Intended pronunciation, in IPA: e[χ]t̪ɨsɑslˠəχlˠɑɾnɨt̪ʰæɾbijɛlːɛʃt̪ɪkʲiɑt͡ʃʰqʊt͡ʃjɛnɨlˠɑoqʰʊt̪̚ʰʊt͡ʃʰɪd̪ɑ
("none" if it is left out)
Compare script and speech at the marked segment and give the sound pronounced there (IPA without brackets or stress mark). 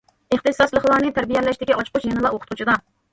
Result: χ